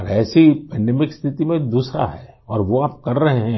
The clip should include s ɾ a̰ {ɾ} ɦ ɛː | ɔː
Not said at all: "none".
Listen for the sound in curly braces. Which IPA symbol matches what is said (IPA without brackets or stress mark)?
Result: none